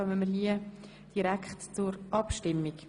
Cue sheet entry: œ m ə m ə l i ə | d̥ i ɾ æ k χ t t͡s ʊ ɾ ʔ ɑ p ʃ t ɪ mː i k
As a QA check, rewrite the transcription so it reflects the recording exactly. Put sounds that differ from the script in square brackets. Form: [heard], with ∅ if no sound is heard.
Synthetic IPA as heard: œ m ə m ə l i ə | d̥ i ɾ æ k χ t t͡s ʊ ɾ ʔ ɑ p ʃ t ɪ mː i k